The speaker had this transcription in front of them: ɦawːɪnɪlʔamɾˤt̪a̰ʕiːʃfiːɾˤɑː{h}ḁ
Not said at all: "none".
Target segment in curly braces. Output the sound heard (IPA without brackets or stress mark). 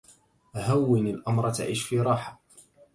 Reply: ħ